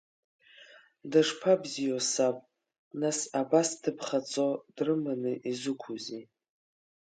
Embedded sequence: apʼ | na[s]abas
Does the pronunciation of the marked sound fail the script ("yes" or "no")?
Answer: no